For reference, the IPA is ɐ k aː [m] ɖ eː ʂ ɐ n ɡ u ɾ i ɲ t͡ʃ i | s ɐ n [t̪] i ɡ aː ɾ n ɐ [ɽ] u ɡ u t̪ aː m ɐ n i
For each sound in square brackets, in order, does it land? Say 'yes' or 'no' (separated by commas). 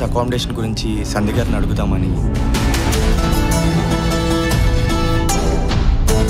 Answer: yes, no, yes